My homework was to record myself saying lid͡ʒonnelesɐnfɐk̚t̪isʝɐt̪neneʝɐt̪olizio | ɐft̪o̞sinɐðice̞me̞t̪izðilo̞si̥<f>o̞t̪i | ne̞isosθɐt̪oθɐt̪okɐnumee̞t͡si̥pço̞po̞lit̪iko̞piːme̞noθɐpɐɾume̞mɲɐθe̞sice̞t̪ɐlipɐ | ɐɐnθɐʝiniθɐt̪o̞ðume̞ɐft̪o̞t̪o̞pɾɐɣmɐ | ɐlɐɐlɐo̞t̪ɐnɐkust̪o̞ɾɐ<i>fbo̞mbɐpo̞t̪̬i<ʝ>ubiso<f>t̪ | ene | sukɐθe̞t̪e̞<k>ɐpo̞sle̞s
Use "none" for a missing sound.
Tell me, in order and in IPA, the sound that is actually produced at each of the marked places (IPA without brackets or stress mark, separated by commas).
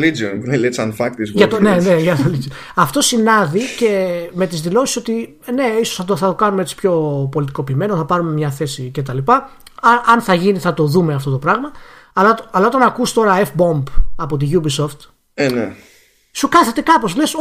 s, e, ʝ, f, k